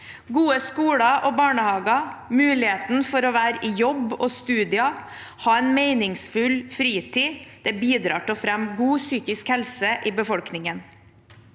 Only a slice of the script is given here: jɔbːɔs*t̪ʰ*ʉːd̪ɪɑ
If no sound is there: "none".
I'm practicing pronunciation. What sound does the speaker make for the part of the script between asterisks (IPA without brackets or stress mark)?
t̪